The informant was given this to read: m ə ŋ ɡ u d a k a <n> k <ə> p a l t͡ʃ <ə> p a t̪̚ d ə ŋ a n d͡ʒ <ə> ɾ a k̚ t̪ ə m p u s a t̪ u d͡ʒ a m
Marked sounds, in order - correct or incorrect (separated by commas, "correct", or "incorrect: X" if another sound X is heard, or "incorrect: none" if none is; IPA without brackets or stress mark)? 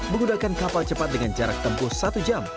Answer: correct, incorrect: a, correct, incorrect: a